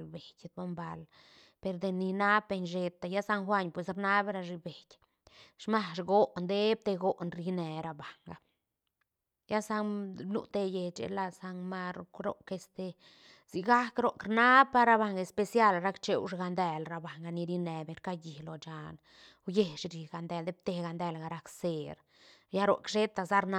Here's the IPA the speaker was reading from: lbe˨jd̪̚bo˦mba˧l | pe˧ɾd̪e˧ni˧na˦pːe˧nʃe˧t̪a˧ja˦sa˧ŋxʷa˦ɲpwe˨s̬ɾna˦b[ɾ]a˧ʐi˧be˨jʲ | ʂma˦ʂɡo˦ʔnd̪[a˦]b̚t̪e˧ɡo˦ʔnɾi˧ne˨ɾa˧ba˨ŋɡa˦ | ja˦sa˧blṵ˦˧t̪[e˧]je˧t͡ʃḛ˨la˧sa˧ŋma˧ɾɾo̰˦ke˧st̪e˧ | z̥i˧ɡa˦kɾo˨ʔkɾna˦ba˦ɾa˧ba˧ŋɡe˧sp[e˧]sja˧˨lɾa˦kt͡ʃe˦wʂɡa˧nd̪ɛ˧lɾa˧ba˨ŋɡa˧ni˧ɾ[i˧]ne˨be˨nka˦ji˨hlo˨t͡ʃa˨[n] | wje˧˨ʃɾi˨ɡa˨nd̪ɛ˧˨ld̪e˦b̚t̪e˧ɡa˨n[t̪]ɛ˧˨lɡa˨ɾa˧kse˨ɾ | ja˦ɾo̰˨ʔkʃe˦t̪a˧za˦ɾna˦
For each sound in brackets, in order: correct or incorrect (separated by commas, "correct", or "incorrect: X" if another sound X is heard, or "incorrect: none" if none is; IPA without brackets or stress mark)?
correct, incorrect: e˦, correct, correct, correct, correct, incorrect: d̪